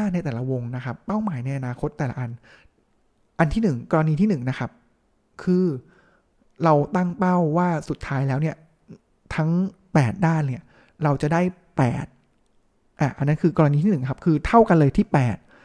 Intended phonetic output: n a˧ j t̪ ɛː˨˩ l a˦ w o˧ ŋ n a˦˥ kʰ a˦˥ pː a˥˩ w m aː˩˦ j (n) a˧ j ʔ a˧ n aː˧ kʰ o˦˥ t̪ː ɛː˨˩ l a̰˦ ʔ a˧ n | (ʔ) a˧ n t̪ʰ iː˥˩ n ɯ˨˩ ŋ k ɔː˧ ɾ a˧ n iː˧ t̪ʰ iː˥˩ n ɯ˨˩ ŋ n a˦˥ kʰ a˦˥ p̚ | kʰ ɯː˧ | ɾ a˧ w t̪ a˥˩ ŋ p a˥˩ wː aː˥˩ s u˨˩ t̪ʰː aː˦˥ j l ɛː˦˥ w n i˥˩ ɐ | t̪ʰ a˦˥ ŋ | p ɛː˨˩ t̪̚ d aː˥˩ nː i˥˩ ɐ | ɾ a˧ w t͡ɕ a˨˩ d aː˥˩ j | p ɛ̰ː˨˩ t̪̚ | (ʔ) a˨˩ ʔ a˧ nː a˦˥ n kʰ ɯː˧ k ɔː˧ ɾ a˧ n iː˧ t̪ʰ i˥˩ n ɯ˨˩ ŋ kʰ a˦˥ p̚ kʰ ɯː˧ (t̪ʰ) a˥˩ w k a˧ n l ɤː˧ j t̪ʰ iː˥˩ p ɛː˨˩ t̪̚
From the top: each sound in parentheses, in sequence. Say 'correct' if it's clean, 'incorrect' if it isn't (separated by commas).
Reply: correct, correct, correct, correct